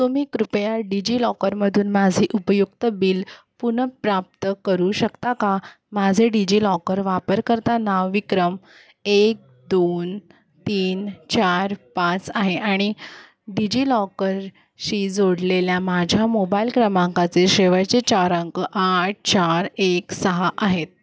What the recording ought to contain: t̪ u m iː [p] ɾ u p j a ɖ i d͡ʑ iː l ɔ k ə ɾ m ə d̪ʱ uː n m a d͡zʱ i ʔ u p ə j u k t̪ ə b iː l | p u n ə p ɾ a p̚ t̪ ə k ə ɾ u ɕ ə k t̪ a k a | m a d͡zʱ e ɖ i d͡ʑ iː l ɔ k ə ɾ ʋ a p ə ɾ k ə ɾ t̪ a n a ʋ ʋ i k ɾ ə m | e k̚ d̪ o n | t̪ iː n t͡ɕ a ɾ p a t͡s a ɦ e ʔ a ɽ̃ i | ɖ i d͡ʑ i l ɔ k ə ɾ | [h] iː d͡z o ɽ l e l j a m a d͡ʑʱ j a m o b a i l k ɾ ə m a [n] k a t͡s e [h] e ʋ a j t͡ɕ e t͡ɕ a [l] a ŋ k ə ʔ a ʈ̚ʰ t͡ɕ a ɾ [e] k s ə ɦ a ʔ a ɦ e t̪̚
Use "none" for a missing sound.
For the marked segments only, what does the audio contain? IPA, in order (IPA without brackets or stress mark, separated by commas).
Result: k, ɕ, ŋ, ɕ, ɾ, e